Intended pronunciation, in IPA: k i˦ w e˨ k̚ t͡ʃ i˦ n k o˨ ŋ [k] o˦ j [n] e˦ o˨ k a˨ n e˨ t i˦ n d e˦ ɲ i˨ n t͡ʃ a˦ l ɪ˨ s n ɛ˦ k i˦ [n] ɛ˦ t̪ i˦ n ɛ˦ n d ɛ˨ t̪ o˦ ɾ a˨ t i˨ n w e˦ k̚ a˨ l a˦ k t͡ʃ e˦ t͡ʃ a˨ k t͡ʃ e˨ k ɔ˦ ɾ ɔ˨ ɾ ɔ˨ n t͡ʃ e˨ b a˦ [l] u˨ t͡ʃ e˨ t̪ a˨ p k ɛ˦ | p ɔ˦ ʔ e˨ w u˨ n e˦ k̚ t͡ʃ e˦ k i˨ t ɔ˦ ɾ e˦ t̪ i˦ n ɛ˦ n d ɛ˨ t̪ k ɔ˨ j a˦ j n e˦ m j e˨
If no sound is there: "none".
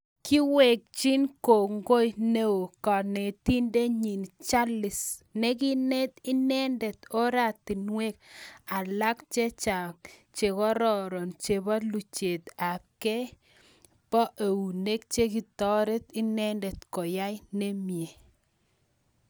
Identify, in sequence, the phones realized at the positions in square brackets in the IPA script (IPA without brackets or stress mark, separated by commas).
ɡ, n, n, l